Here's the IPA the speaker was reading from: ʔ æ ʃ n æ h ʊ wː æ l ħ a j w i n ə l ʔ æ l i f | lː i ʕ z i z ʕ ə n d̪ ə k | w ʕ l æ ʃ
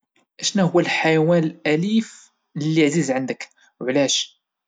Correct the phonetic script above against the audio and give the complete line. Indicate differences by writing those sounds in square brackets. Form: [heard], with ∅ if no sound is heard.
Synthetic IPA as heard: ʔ æ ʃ n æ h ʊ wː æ l ħ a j w [æ] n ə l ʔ æ l i f | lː i ʕ z i z ʕ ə n d̪ ə k | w ʕ l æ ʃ